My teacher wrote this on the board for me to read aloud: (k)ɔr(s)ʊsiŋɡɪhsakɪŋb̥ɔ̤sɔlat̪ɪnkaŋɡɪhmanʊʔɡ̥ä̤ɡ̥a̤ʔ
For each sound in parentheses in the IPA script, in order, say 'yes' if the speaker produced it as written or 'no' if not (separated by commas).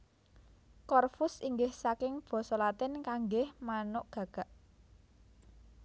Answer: yes, no